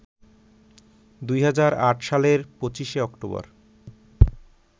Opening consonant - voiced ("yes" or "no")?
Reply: yes